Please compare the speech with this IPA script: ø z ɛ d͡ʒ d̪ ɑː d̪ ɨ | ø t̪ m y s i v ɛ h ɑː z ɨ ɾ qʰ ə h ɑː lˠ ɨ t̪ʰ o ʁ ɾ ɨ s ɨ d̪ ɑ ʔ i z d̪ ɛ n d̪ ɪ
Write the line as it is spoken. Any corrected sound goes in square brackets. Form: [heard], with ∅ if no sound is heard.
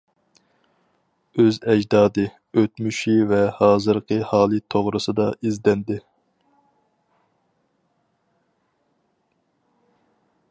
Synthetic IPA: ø z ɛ d͡ʒ d̪ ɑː d̪ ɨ | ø t̪ m y [ʃ] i v ɛ h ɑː z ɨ ɾ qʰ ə h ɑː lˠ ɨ t̪ʰ o ʁ ɾ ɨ s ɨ d̪ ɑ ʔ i z d̪ ɛ n d̪ ɪ